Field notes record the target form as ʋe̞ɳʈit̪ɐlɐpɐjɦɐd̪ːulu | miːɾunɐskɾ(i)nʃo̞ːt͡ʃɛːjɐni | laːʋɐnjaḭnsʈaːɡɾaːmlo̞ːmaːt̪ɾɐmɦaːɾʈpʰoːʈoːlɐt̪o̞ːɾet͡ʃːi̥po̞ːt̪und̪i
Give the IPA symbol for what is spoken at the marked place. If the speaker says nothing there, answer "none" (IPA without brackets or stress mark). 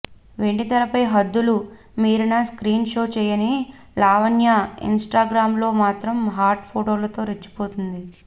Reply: iː